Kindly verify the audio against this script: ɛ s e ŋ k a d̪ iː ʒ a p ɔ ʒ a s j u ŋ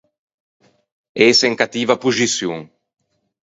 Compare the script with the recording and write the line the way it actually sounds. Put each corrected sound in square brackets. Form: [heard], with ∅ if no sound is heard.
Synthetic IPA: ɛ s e ŋ k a [t̪] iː [v] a p [u] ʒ [i] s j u ŋ